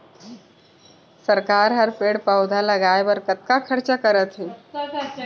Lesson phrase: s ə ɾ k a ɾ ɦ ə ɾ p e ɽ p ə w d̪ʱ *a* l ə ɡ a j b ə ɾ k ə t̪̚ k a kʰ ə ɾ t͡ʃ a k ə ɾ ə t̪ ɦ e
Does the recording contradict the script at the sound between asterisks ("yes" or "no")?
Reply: no